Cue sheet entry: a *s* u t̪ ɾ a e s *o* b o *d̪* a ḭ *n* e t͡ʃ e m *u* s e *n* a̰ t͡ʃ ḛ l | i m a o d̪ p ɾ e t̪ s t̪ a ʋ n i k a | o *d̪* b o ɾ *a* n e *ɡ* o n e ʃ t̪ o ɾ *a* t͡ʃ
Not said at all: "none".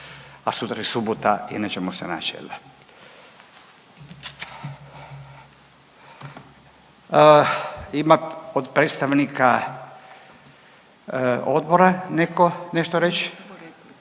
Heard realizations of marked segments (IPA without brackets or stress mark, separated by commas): s, u, t̪, n, o, n, d̪, a, k, e